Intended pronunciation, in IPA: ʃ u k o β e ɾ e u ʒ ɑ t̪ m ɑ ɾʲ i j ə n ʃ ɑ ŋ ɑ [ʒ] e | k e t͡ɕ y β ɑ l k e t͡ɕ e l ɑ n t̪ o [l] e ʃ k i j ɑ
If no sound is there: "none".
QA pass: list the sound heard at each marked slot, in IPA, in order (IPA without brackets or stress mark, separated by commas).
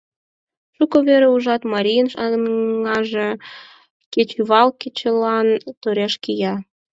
ʒ, ɾ